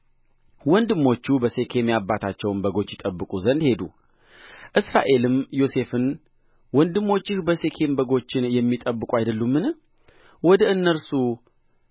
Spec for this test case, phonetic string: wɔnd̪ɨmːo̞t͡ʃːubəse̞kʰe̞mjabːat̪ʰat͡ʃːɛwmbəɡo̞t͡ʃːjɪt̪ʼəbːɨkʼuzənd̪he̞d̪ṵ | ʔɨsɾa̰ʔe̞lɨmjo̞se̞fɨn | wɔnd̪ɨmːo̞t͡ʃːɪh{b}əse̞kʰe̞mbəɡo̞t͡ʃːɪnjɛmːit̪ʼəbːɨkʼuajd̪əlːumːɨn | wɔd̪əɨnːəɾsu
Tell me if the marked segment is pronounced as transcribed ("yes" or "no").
yes